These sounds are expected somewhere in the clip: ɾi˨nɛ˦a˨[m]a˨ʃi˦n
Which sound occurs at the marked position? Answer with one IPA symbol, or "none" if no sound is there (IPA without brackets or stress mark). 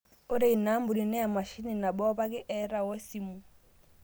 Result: m